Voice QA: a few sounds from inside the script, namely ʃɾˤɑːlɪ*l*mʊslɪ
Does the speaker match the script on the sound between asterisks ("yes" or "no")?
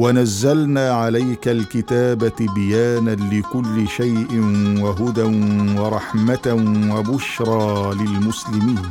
yes